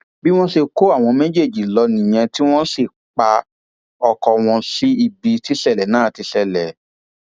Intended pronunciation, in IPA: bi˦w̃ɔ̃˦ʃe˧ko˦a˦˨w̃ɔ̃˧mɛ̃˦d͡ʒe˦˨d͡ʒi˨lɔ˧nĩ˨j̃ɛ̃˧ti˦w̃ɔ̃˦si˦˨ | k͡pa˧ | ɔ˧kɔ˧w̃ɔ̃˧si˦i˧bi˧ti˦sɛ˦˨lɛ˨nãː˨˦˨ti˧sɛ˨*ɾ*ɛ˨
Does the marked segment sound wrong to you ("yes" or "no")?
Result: yes